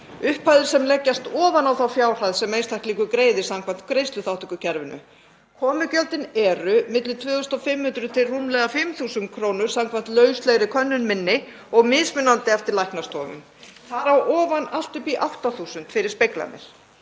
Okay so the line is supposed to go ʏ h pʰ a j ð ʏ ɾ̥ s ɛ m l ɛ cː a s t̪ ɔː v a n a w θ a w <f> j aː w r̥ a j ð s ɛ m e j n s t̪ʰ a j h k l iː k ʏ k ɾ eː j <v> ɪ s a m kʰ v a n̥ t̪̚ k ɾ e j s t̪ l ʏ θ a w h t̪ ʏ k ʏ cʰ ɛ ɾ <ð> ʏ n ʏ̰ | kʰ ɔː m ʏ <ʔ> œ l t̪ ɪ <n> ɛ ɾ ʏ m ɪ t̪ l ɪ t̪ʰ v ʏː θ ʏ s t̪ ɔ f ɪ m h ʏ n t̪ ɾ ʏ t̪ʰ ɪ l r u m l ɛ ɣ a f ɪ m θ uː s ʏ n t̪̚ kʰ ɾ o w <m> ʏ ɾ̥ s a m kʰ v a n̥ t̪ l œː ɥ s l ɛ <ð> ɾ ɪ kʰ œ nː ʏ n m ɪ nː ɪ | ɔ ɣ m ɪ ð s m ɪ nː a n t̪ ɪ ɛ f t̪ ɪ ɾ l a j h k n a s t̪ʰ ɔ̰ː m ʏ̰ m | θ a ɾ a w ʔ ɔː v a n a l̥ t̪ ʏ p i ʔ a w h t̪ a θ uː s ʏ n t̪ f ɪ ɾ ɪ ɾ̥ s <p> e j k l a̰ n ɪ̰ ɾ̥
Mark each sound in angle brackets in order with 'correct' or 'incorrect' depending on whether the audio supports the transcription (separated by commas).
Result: correct, incorrect, incorrect, incorrect, correct, incorrect, incorrect, correct